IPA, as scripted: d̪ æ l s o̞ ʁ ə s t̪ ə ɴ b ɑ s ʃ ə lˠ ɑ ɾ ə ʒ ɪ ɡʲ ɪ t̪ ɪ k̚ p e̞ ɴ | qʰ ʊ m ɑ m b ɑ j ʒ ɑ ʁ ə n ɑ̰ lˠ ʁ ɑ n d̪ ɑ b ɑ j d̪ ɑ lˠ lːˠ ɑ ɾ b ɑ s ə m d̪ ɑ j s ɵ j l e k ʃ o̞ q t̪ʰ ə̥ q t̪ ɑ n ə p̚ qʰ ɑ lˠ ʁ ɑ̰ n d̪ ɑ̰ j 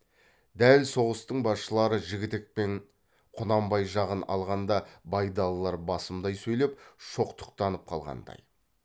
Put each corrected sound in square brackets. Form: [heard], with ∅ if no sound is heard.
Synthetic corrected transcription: d̪ æ l s o̞ ʁ ə s t̪ ə ɴ b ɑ s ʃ ə lˠ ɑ ɾ ə ʒ ɪ ɡʲ ɪ t̪ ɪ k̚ p e̞ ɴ | qʰ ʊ [n] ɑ m b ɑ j ʒ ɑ ʁ ə n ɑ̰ lˠ ʁ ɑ n d̪ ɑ b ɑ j d̪ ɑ lˠ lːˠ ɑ ɾ b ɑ s ə m d̪ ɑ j s ɵ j l e [p] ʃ o̞ q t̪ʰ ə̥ q t̪ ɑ n ə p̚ qʰ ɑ lˠ ʁ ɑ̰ n d̪ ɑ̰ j